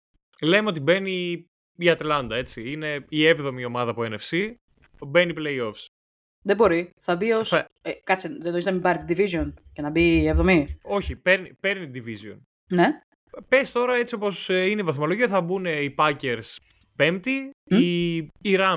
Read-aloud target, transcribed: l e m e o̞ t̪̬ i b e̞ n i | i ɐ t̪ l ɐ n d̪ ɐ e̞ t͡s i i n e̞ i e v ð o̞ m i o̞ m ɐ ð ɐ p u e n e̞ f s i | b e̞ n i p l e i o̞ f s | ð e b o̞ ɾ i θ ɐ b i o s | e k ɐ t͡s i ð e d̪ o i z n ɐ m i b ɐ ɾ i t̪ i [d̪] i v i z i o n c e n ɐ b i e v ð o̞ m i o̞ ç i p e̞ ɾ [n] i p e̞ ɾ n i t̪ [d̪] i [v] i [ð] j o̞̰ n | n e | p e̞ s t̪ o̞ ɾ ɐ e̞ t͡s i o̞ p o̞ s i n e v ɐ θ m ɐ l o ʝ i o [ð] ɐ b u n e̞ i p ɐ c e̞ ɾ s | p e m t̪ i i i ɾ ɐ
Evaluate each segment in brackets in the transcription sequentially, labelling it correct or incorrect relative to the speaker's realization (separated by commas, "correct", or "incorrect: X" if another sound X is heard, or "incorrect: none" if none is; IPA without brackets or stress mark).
correct, correct, correct, correct, incorrect: z, incorrect: θ